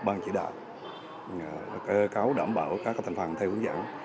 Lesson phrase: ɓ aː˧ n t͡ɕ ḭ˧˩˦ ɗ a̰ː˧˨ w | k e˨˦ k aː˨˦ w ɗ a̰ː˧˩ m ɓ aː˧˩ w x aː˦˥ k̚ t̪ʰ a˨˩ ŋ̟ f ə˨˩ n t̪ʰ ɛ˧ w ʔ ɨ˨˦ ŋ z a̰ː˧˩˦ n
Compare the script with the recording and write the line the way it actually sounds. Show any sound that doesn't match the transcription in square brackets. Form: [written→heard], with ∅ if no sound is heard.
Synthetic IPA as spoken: ɓ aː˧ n t͡ɕ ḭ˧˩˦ ɗ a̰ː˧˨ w | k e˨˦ k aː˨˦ w ɗ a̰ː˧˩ m ɓ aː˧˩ w [x→k] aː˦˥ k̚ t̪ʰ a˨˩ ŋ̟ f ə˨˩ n t̪ʰ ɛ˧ w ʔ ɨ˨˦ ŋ z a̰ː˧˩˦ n

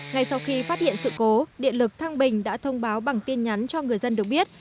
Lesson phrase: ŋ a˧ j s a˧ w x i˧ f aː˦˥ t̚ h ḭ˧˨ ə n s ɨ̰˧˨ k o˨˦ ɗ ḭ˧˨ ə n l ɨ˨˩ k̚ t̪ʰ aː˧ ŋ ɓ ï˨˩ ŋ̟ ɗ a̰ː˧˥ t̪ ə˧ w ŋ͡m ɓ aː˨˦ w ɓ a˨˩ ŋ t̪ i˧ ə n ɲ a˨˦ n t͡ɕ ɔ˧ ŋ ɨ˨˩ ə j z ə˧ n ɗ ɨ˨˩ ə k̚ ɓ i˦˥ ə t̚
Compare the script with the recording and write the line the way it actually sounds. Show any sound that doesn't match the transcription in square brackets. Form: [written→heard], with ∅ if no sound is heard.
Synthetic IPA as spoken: ŋ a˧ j s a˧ w x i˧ f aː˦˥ t̚ h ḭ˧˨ ə n s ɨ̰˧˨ k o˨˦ ɗ ḭ˧˨ ə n l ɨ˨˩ k̚ t̪ʰ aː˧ ŋ ɓ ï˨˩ ŋ̟ ɗ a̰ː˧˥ [t̪→t̪ʰ] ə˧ w ŋ͡m ɓ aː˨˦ w ɓ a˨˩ ŋ t̪ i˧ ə n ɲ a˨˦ n t͡ɕ ɔ˧ ŋ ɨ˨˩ ə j z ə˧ n ɗ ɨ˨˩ ə k̚ ɓ i˦˥ ə t̚

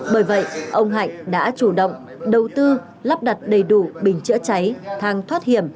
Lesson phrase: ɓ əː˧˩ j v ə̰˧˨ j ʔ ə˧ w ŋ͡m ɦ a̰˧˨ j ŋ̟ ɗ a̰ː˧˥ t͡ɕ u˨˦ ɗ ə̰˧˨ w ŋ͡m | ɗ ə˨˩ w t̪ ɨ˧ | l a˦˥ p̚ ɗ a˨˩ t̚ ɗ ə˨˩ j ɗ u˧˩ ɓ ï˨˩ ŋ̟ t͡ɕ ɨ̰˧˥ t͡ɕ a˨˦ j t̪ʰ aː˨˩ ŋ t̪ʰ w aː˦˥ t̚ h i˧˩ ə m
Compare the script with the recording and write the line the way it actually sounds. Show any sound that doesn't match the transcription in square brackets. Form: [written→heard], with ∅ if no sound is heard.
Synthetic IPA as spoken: ɓ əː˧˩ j v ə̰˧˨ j ʔ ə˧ w ŋ͡m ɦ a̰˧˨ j ŋ̟ ɗ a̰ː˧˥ t͡ɕ [u˨˦→u˧˩] ɗ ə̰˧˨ w ŋ͡m | ɗ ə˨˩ w t̪ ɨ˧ | l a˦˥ p̚ ɗ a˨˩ t̚ ɗ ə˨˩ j ɗ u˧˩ ɓ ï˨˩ ŋ̟ t͡ɕ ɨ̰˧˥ t͡ɕ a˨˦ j t̪ʰ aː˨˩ ŋ t̪ʰ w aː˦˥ t̚ h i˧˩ ə m

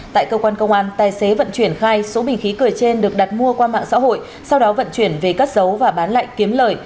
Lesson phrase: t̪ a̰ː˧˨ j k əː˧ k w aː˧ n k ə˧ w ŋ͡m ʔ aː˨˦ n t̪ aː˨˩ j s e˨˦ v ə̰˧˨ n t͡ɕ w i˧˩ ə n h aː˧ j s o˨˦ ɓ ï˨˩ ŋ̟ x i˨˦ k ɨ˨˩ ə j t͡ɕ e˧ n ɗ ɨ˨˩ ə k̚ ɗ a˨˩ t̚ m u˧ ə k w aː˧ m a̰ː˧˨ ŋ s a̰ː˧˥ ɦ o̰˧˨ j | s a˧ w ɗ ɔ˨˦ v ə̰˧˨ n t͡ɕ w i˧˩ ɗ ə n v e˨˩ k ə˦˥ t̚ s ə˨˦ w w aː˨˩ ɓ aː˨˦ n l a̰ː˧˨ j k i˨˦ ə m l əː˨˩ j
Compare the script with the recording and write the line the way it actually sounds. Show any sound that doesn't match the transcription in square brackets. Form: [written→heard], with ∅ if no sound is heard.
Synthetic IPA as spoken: t̪ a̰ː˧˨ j k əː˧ k w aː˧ n k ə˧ w ŋ͡m ʔ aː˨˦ n t̪ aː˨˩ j s e˨˦ v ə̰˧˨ n t͡ɕ w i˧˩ ə n [h→x] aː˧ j s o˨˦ ɓ ï˨˩ ŋ̟ x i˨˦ k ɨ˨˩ ə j t͡ɕ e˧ n ɗ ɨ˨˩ ə k̚ ɗ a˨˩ t̚ m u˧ ə k w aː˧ m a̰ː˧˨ ŋ s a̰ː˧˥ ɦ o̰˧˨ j | s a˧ w ɗ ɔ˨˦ v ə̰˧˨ n t͡ɕ w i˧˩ [ɗ→∅] ə n v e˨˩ k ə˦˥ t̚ [s→z] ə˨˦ w [w→v] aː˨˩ ɓ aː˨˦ n l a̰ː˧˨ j k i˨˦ ə m l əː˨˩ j

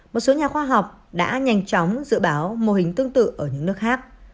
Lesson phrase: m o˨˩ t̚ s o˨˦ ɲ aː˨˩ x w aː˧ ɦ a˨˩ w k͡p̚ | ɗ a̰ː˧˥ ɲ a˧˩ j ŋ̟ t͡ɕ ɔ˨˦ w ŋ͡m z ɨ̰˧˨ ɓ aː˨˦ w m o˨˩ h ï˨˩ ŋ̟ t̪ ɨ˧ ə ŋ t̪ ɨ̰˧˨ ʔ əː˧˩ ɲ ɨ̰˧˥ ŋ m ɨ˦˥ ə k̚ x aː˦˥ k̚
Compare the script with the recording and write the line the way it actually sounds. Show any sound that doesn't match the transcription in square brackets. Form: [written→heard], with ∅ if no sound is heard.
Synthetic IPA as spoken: m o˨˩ t̚ s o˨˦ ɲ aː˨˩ x w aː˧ ɦ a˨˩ w k͡p̚ | ɗ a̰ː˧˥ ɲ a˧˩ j ŋ̟ t͡ɕ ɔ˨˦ w ŋ͡m z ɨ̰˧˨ ɓ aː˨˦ w m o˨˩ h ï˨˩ ŋ̟ t̪ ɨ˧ ə ŋ t̪ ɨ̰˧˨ ʔ əː˧˩ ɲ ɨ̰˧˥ ŋ [m→n] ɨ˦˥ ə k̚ x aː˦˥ k̚

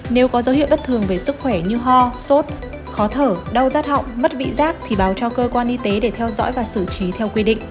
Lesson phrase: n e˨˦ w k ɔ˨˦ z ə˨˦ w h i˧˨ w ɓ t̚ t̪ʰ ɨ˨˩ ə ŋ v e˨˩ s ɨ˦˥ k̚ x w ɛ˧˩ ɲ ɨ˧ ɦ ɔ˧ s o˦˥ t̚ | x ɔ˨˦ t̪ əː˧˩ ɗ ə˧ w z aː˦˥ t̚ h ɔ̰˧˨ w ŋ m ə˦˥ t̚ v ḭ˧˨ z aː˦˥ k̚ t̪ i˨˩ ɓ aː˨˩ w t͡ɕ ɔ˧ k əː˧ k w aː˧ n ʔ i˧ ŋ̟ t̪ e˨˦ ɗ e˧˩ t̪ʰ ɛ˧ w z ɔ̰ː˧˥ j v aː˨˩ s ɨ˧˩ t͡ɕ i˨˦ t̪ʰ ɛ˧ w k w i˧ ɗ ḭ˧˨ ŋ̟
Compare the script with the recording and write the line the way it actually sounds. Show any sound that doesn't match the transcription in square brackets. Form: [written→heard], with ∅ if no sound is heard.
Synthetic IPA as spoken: n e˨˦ w k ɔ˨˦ z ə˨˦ w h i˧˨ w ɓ t̚ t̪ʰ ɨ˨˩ ə ŋ v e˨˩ s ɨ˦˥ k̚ x w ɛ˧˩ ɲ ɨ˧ ɦ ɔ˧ s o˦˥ t̚ | x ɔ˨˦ [t̪→t̪ʰ] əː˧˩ ɗ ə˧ w z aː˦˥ t̚ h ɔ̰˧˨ w [ŋ→ŋ͡m] m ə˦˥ t̚ v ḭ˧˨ z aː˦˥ k̚ [t̪→t̪ʰ] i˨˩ ɓ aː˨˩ w t͡ɕ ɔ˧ k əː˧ k w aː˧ n ʔ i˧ [ŋ̟→∅] t̪ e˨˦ ɗ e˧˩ t̪ʰ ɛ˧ w z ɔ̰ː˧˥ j v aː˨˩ s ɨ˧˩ t͡ɕ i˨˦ t̪ʰ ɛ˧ w k w i˧ ɗ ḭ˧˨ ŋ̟

